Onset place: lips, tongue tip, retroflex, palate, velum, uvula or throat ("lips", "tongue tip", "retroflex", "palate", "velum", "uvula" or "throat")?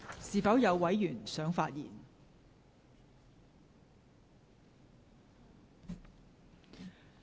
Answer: tongue tip